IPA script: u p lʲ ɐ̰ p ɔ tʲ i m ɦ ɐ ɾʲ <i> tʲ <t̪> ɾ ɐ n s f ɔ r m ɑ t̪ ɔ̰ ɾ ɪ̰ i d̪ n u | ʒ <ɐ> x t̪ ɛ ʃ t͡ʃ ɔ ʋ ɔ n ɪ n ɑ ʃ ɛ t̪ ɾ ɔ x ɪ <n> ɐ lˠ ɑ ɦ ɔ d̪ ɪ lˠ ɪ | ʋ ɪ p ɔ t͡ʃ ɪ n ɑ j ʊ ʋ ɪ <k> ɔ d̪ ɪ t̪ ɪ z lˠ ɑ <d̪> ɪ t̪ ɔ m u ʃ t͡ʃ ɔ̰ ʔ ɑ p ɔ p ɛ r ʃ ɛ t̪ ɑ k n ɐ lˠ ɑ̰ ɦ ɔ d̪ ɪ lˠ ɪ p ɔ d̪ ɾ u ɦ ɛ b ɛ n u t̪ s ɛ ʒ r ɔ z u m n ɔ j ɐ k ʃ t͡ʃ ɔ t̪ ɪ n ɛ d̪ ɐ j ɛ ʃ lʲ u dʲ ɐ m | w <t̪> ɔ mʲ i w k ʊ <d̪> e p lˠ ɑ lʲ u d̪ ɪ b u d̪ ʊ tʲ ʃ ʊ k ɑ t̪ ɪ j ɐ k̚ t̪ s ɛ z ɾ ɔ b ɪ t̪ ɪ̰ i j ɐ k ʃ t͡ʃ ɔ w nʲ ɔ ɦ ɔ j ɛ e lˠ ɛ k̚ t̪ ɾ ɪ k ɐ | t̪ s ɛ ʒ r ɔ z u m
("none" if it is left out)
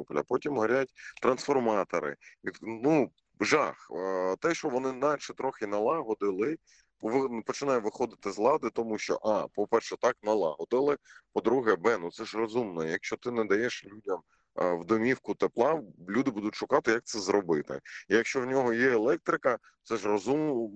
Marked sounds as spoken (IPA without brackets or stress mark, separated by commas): a, t̪, ɑ, n, x, d̪, d̪, t̪